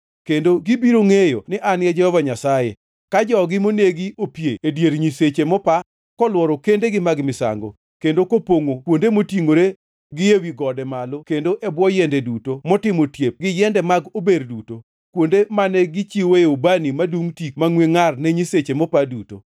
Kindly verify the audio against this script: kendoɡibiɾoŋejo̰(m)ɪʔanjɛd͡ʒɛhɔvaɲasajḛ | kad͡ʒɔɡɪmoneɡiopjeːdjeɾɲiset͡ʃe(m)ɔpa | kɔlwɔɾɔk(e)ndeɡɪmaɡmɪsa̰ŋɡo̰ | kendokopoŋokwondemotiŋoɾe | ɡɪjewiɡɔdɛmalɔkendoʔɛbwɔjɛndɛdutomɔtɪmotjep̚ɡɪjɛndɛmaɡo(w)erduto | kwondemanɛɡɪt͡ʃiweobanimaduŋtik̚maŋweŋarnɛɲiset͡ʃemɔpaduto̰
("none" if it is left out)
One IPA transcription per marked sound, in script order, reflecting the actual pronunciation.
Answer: n, m, e, b

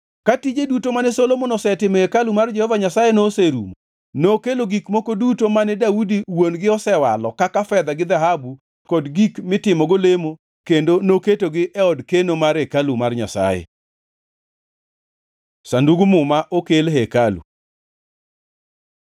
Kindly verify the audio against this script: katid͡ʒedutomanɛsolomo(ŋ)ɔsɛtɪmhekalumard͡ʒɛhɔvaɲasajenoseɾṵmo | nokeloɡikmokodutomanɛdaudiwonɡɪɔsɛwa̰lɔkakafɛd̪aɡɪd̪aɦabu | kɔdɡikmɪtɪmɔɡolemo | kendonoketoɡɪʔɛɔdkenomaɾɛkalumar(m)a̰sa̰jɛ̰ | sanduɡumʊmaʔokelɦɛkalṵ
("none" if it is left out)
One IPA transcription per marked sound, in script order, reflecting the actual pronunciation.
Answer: n, ɲ

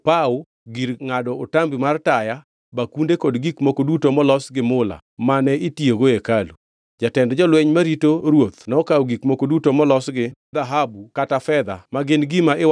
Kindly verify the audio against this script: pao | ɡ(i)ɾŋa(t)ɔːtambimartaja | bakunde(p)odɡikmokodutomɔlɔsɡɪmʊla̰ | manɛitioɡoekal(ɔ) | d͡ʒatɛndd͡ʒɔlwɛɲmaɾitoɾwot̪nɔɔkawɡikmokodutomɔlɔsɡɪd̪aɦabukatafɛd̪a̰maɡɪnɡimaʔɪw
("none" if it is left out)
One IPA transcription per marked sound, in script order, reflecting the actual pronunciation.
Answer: i, d, k, u

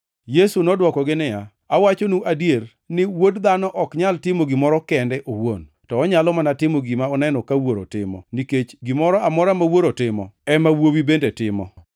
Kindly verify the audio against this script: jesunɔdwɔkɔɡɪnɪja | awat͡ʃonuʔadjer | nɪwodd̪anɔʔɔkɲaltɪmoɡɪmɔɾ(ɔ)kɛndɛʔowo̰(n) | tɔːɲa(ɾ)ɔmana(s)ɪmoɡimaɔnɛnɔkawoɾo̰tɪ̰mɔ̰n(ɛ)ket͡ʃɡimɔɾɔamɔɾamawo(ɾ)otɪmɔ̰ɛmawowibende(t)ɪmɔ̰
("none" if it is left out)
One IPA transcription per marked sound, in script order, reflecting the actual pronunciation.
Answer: ɔ, n, l, t, i, ɾ, t

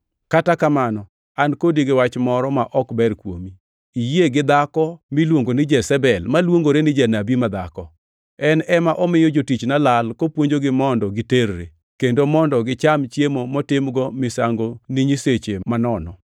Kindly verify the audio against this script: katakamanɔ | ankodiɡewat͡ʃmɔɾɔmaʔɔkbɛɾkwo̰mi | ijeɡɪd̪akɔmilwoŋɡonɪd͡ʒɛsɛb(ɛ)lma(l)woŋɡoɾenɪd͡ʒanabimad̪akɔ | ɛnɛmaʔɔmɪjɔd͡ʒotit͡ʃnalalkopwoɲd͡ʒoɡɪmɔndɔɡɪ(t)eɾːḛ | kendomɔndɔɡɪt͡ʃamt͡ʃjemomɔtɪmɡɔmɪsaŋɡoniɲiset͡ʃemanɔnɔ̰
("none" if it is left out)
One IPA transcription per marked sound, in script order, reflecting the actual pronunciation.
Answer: ɛ, l, t

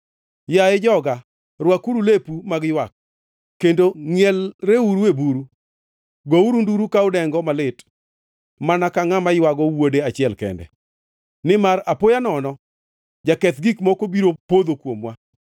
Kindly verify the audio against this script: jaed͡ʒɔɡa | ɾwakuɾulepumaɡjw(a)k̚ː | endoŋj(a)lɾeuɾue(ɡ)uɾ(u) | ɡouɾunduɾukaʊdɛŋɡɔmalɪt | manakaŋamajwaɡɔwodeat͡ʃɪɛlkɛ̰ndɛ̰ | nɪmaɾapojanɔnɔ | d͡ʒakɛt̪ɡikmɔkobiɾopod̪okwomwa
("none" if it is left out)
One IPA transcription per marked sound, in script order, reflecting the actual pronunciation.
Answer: a, ɛ, b, u

